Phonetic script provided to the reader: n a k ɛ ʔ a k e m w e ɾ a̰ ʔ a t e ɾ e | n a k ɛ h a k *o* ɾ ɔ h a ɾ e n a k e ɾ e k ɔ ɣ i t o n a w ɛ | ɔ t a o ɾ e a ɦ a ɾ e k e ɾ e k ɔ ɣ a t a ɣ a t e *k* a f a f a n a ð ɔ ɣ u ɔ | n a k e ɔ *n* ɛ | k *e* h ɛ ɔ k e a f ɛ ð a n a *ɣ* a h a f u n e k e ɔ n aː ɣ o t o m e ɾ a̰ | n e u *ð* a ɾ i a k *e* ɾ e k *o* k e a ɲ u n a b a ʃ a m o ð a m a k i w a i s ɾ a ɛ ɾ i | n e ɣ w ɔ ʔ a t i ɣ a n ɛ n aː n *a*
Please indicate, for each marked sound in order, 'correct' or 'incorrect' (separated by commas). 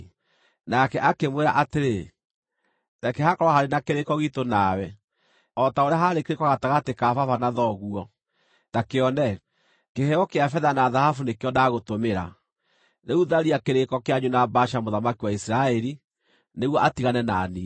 incorrect, correct, correct, correct, incorrect, correct, correct, incorrect, incorrect